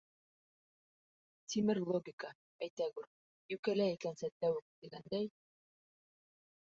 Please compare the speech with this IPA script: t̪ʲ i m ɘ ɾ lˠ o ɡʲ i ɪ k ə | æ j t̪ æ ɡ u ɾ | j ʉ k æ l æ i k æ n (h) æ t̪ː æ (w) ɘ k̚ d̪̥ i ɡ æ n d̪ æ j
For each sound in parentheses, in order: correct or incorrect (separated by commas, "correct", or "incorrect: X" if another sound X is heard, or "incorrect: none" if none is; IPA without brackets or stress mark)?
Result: incorrect: s, correct